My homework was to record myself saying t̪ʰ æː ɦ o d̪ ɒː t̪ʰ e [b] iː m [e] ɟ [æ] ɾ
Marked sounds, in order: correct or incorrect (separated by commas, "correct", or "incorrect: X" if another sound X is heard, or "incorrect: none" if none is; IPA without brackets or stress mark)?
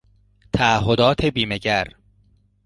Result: correct, correct, correct